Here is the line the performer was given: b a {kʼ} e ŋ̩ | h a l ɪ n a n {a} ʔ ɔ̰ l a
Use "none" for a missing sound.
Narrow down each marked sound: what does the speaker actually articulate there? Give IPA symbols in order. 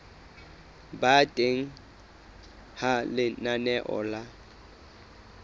tʼ, ɛ

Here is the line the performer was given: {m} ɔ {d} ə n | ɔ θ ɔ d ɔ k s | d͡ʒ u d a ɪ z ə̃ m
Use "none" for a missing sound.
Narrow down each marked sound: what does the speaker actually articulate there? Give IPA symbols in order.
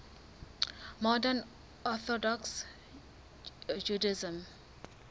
m, d

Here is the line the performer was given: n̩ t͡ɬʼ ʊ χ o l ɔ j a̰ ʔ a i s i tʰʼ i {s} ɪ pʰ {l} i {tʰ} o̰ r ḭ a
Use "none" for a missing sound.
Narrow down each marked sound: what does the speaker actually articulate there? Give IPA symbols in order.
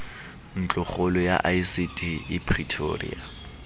none, r, tʰ

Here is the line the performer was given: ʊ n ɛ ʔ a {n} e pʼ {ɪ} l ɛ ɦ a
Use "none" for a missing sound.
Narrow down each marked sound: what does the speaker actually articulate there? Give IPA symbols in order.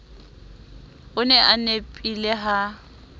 n, i

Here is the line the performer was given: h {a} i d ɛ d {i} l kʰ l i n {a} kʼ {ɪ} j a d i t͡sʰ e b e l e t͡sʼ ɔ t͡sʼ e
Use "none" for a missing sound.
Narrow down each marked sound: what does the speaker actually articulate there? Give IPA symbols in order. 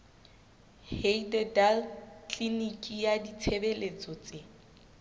e, a, i, i

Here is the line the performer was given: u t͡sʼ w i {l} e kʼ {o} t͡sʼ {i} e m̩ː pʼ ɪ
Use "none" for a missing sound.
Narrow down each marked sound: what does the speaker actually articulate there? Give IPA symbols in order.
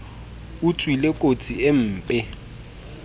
l, o, i

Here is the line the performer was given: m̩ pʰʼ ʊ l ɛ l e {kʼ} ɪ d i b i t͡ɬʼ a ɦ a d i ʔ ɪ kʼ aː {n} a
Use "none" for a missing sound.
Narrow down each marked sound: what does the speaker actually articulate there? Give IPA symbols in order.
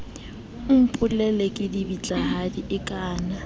kʼ, n

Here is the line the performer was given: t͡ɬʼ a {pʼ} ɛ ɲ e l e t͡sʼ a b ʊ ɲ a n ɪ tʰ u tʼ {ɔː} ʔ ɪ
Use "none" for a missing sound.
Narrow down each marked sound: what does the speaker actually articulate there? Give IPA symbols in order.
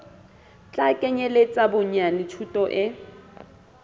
kʼ, ɔ

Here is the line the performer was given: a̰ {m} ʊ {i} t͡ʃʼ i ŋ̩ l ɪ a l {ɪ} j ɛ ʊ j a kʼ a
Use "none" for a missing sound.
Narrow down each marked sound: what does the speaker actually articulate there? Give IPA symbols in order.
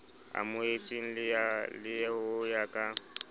m, e, ɪ

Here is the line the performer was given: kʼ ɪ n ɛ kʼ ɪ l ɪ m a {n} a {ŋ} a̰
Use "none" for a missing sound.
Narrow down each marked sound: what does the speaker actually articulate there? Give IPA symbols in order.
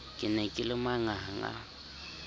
ŋ, ŋ

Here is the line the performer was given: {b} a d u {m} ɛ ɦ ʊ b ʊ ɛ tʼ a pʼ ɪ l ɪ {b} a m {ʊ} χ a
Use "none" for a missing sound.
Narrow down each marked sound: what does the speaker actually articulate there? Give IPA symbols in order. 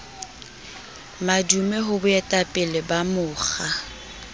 m, m, b, ʊː

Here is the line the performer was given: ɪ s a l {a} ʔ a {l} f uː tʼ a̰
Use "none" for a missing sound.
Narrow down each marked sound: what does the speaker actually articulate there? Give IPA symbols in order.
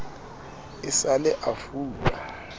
ɛ, none

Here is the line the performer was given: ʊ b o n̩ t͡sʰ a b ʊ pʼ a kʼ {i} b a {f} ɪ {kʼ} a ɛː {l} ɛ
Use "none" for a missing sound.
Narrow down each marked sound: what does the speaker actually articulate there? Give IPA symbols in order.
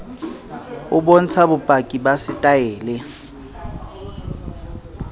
i, s, tʼ, l

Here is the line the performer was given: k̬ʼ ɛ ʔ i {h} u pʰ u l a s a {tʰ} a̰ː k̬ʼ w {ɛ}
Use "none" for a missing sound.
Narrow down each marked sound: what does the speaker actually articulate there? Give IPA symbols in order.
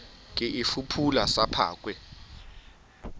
f, pʰ, ɛ

